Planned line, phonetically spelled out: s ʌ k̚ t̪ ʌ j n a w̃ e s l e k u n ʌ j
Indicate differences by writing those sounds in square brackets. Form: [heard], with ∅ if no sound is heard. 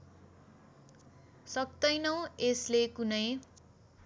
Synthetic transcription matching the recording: s ʌ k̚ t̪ ʌ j n [ʌ] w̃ e s l e k u n ʌ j